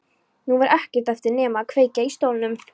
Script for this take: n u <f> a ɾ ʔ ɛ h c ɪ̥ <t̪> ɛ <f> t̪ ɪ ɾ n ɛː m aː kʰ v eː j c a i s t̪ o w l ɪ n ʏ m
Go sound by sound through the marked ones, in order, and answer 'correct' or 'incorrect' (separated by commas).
incorrect, correct, correct